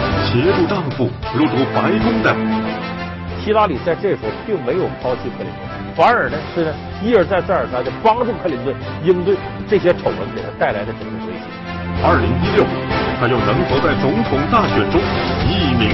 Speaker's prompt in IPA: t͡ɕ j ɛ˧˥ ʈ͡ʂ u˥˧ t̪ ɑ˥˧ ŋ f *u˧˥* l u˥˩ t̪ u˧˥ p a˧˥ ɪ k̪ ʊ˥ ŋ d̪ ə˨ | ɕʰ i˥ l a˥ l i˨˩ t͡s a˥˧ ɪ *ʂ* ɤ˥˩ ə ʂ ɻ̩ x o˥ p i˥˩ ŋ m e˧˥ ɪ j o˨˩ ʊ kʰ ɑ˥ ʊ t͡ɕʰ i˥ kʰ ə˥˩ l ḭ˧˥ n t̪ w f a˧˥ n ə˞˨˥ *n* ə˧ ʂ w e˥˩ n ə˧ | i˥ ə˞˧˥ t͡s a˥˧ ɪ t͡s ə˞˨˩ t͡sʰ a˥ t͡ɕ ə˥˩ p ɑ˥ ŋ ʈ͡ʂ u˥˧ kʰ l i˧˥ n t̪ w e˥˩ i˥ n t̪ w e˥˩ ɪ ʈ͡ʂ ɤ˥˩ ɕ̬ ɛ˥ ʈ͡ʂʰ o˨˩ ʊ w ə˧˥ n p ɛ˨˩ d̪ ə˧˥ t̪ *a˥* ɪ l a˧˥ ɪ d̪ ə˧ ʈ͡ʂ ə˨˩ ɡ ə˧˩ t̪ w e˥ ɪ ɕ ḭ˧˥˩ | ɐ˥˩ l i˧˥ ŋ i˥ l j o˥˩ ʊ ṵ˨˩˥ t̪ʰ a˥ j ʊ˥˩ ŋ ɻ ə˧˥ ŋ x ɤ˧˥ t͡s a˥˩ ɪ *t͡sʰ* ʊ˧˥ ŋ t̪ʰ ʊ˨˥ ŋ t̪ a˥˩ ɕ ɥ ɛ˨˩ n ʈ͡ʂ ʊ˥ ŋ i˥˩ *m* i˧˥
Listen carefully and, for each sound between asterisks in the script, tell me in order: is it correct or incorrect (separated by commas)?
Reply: incorrect, incorrect, correct, incorrect, incorrect, correct